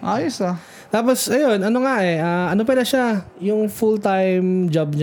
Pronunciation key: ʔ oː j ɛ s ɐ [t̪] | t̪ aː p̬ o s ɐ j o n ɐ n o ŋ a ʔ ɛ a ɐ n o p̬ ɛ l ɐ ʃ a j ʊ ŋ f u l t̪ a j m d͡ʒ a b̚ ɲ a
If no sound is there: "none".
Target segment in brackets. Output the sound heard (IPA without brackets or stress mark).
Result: none